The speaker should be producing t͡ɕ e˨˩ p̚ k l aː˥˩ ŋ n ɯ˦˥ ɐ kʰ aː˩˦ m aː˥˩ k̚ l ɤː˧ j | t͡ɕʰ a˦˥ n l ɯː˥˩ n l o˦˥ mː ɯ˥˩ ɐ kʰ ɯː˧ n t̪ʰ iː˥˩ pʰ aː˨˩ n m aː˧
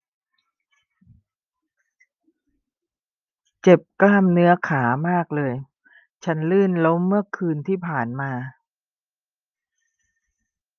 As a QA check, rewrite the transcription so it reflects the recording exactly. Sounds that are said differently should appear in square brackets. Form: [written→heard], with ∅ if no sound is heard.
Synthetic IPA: t͡ɕ e˨˩ p̚ k l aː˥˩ [ŋ→m] n ɯ˦˥ ɐ kʰ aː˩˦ m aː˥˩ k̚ l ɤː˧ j | t͡ɕʰ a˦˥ n l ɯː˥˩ n l o˦˥ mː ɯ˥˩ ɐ kʰ ɯː˧ n t̪ʰ iː˥˩ pʰ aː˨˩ n m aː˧